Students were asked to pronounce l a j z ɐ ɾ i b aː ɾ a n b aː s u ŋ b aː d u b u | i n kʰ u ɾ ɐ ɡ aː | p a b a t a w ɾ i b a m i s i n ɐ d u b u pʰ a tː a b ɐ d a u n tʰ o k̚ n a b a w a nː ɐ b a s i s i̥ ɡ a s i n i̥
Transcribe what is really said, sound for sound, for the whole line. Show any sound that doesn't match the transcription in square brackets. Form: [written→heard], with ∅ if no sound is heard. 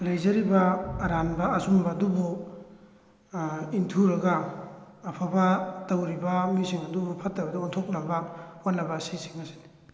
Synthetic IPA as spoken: l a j z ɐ ɾ i b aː ɾ a n b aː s u [ŋ→m] b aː d u b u | i n [kʰ→tʰ] u ɾ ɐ ɡ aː | [p→pʰ] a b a t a w ɾ i b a m i s i [n→ŋ] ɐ d u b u pʰ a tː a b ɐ d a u n tʰ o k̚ n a b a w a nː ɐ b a s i s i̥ [ɡ→ŋ] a s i n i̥